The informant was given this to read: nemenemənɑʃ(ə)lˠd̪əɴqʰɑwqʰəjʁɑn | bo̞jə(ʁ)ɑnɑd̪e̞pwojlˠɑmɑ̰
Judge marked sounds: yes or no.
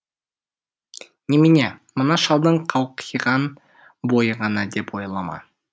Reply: no, yes

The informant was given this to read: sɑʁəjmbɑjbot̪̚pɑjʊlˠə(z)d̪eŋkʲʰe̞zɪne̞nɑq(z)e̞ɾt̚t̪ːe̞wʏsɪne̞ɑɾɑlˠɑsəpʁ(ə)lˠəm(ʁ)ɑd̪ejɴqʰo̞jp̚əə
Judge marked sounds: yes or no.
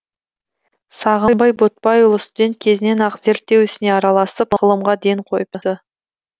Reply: no, yes, yes, yes

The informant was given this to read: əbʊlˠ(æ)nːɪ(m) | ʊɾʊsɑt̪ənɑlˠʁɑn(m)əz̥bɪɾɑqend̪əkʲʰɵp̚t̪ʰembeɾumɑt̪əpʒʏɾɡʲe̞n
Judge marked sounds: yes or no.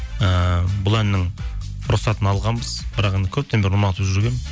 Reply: yes, no, no

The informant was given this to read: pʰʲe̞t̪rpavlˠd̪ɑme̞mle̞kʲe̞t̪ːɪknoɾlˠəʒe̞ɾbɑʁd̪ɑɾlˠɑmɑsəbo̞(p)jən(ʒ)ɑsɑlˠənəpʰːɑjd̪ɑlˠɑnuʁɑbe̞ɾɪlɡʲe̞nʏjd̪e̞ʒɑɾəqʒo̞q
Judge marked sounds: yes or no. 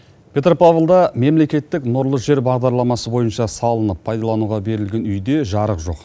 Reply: no, no

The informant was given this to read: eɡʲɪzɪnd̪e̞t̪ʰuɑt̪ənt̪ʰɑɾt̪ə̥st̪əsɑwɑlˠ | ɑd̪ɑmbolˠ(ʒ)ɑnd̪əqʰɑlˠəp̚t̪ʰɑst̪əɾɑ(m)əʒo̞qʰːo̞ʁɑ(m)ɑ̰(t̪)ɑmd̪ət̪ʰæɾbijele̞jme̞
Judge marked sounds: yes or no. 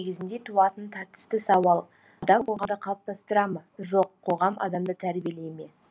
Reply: no, yes, yes, no

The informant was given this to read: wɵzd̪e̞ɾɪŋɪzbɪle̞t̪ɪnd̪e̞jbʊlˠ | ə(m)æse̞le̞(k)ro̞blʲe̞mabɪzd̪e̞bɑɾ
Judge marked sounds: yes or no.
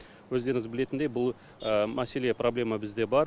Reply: yes, no

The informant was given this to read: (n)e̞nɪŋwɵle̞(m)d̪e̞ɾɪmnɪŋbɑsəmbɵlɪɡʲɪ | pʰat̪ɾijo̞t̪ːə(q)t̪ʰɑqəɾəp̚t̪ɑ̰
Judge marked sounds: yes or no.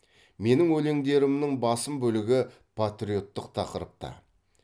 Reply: no, no, yes

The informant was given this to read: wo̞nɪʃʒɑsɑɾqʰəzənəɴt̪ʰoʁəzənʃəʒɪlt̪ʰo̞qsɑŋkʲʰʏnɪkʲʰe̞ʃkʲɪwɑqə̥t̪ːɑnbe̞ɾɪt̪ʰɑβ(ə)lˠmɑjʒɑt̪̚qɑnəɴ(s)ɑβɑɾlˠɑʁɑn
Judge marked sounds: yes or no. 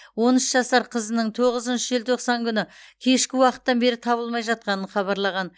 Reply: yes, no

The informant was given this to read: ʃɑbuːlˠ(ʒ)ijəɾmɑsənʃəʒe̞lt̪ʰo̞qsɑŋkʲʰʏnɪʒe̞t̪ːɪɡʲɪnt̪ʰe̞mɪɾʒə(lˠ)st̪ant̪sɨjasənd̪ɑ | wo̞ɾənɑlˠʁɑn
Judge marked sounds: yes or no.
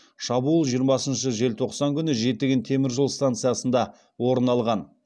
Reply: yes, yes

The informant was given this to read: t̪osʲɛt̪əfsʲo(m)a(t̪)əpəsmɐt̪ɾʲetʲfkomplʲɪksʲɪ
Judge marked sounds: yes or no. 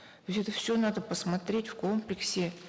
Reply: no, no

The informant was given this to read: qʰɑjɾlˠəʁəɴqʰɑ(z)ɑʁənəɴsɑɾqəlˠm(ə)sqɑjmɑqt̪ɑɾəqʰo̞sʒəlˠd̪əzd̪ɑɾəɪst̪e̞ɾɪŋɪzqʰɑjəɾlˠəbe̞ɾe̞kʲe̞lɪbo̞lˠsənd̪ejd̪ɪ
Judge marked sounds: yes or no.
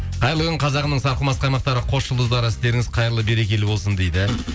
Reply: yes, no

